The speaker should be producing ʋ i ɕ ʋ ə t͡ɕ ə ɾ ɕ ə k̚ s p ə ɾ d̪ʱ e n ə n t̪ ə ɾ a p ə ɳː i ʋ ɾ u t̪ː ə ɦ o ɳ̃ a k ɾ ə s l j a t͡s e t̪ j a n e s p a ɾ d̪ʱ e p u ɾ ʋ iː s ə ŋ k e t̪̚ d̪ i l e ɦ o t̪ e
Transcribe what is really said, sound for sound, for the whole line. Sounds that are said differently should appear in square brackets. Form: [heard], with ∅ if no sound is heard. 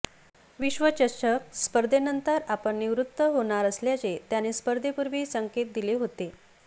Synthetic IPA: ʋ i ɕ ʋ ə t͡ɕ ə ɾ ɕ ə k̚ s p ə ɾ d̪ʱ e n ə n t̪ ə ɾ a p ə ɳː i ʋ ɾ u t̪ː ə ɦ o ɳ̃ a [∅] ɾ ə s l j a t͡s e t̪ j a n e s p [ə] ɾ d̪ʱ e p u ɾ ʋ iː s ə ŋ k e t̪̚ d̪ i l e ɦ o t̪ e